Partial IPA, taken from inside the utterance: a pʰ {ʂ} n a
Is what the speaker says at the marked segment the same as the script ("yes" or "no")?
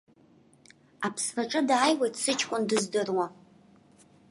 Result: no